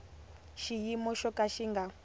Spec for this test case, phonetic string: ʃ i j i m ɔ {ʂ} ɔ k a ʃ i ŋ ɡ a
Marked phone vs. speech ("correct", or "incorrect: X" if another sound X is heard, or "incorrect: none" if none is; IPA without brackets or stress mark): incorrect: ʃ